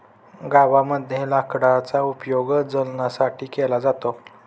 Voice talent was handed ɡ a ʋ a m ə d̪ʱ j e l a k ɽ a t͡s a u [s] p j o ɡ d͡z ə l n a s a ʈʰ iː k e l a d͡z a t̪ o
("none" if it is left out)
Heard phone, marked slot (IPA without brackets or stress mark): none